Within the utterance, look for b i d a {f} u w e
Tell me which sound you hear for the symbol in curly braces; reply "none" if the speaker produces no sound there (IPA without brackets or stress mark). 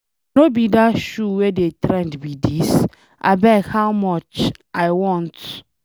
ʃ